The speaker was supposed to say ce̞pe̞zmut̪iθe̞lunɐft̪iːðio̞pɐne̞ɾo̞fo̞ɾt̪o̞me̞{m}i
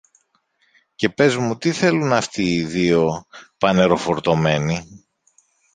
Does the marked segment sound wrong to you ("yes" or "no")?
yes